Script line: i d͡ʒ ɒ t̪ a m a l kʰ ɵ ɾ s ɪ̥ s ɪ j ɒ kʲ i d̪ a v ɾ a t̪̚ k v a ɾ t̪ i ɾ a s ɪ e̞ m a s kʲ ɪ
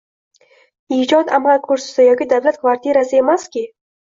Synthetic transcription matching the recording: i d͡ʒ ɒ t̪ a m a l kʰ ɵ ɾ s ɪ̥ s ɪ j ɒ kʲ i d̪ a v l a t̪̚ k v a ɾ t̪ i ɾ a s ɪ e̞ m a s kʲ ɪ